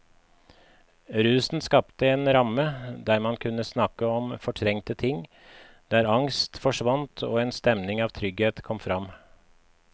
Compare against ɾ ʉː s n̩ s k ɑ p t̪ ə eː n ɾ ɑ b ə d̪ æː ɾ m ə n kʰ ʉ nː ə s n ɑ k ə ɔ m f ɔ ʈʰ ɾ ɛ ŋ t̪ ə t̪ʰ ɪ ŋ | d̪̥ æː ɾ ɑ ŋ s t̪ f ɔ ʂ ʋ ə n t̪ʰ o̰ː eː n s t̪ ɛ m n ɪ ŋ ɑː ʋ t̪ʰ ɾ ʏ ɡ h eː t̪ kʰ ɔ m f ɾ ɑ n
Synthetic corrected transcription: ɾ ʉː s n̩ s k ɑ p t̪ ə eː n ɾ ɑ m ə d̪ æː ɾ m ɑ n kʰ ʉ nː ə s n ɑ k ə ɔ m f ɔ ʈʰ ɾ ɛ ŋ t̪ ə t̪ʰ ɪ ŋ | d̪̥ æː ɾ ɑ ŋ s t̪ f ɔ ʂ ʋ ɑ n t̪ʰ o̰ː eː n s t̪ ɛ m n ɪ ŋ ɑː ʋ t̪ʰ ɾ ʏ ɡ h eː t̪ kʰ ɔ m f ɾ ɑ m